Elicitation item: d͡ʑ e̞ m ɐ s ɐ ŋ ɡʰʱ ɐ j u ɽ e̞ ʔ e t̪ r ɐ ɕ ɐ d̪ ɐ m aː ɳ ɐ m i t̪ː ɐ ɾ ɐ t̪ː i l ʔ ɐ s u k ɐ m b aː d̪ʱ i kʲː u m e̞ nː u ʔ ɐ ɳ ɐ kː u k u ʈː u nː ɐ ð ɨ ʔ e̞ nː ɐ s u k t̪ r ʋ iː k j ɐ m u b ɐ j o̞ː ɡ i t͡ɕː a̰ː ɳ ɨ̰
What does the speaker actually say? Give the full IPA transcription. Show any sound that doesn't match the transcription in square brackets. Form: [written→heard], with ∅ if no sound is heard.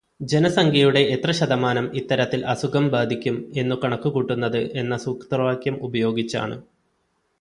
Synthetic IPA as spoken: d͡ʑ e̞ [m→n] ɐ s ɐ ŋ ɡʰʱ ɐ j u ɽ e̞ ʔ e t̪ r ɐ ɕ ɐ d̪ ɐ m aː [ɳ→n] ɐ m i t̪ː ɐ ɾ ɐ t̪ː i l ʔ ɐ s u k ɐ m b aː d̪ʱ i kʲː u m e̞ nː u [ʔ→k] ɐ ɳ ɐ kː u k u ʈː u nː ɐ ð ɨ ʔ e̞ nː ɐ s u k t̪ r ʋ [iː→aː] k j ɐ m u b ɐ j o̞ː ɡ i t͡ɕː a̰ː ɳ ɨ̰